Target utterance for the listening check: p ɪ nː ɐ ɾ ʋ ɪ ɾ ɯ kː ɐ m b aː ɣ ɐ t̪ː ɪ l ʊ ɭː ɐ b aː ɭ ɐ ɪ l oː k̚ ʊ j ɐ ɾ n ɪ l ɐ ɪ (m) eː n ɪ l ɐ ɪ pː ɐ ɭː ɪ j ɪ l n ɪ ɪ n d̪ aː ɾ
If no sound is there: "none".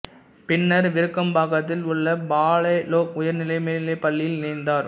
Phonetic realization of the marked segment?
m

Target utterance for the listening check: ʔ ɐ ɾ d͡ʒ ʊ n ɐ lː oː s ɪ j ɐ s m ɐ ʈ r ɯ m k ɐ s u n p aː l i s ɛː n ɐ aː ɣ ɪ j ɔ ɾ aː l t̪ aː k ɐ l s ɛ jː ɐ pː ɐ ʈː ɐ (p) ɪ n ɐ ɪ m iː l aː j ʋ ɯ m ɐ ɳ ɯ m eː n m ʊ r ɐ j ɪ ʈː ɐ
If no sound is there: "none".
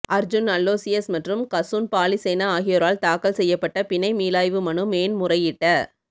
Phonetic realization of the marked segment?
p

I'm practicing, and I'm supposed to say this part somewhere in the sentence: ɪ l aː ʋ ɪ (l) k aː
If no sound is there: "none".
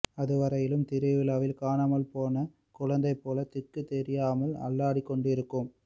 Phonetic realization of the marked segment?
l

